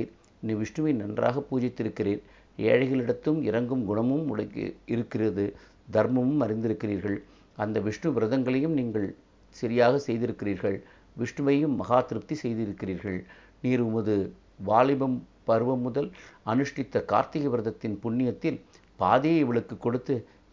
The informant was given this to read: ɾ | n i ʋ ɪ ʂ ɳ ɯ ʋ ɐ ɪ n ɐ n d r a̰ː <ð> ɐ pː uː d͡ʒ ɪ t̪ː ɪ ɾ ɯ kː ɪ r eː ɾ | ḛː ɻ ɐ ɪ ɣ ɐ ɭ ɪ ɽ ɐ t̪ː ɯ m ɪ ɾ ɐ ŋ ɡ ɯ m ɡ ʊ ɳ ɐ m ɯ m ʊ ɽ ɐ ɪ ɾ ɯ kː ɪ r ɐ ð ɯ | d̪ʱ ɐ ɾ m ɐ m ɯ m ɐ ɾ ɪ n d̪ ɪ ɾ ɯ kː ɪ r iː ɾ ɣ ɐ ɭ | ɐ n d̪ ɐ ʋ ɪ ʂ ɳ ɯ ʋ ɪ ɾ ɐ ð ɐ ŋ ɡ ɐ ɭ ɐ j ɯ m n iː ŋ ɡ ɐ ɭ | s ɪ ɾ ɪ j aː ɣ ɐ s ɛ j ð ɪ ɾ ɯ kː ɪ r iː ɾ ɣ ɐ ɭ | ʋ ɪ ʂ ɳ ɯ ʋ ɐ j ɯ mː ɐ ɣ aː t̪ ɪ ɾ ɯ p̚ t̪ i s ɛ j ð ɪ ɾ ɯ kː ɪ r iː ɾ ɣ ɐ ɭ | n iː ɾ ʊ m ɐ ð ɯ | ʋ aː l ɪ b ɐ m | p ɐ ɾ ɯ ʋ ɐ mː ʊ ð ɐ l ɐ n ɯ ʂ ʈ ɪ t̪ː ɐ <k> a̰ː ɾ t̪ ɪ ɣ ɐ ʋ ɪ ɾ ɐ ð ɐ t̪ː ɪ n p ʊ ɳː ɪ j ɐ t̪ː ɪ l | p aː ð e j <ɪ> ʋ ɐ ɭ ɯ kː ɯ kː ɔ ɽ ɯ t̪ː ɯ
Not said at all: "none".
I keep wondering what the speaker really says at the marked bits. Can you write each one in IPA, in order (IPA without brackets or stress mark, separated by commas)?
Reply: ɣ, k, ɪ